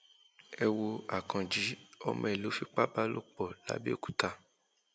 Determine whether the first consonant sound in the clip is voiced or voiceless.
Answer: voiced